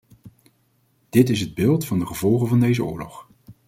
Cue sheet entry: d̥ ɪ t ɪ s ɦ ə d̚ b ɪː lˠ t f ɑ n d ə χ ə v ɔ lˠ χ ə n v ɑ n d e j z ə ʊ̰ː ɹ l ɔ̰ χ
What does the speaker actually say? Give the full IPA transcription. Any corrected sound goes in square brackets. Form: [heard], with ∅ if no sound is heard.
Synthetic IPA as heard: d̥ ɪ t ɪ s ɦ ə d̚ b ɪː lˠ t f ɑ n d ə χ ə v ɔ lˠ χ ə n v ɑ n d e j z ə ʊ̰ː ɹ l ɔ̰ χ